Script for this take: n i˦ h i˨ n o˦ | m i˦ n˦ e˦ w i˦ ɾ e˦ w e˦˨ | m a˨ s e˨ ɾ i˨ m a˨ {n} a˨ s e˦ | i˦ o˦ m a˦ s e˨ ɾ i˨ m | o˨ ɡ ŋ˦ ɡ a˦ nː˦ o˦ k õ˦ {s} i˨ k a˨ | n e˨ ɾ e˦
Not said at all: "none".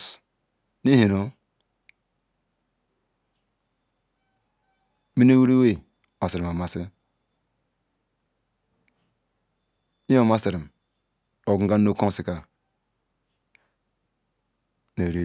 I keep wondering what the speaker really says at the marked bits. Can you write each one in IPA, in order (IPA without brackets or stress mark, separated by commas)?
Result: m, s